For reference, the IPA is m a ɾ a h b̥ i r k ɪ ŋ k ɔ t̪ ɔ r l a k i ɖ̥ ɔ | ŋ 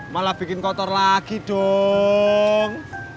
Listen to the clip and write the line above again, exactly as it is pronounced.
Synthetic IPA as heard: m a l a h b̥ i k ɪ n k ɔ t̪ ɔ r l a k i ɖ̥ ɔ | ŋ